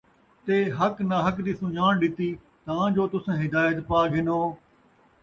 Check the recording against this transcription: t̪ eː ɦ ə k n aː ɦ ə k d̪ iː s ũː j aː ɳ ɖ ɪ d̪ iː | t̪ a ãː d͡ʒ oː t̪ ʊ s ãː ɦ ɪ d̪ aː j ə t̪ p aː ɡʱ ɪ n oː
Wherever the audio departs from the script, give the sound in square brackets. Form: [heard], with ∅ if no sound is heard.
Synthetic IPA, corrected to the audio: t̪ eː ɦ ə k n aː ɦ ə k d̪ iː s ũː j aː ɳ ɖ ɪ [t̪] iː | t̪ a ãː d͡ʒ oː t̪ ʊ s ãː ɦ ɪ d̪ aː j ə t̪ p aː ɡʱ ɪ n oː